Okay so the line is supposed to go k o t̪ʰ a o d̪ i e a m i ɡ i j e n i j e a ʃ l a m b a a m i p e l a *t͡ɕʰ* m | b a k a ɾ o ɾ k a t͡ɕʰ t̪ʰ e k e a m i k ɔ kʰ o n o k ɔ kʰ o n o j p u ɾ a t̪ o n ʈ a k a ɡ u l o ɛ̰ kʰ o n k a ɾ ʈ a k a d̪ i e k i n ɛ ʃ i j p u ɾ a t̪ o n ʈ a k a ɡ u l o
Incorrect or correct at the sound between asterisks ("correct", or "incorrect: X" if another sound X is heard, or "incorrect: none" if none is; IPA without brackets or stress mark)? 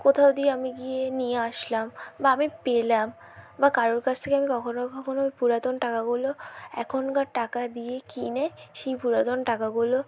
incorrect: none